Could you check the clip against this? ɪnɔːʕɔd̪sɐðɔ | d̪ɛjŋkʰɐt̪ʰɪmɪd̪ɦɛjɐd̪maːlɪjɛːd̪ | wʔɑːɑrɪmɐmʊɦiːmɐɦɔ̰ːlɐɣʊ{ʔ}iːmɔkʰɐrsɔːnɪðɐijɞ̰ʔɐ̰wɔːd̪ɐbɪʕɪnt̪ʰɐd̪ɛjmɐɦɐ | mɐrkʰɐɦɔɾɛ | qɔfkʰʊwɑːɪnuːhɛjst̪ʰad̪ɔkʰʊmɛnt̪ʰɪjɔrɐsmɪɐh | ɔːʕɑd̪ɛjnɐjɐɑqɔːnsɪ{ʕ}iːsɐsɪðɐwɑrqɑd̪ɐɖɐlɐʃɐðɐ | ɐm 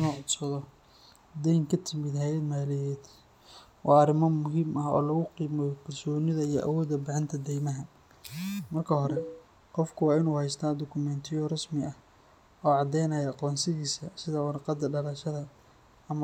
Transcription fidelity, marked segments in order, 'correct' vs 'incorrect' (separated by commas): incorrect, incorrect